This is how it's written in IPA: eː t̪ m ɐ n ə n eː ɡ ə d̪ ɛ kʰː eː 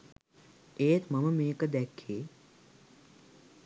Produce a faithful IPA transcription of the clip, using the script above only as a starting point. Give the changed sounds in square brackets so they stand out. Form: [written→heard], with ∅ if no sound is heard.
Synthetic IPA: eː t̪ m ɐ [n→m] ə [n→m] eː [ɡ→k] ə d̪ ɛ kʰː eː